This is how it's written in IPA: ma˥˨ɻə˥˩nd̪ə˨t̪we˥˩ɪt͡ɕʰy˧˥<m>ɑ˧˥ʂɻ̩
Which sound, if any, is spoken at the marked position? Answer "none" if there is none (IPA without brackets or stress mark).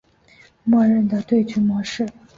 m